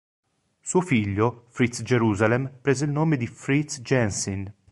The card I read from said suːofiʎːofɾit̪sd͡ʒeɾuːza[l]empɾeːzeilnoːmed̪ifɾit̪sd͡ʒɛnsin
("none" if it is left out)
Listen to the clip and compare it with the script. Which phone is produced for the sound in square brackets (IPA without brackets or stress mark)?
l